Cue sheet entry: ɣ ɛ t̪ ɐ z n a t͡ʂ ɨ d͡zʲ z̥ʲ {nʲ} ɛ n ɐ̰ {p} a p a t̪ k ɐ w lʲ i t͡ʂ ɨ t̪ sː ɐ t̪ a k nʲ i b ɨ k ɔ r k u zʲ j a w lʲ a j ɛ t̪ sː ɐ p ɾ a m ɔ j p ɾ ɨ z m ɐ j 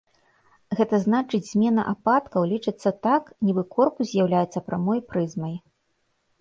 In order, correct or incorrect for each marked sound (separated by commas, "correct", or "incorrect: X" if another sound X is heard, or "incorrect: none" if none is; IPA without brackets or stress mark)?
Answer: incorrect: mʲ, incorrect: ʔ